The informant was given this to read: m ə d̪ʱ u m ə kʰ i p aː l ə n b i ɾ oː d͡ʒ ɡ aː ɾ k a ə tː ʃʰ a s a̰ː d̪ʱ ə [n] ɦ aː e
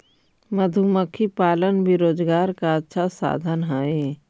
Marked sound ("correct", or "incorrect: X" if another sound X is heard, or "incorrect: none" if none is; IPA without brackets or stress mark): correct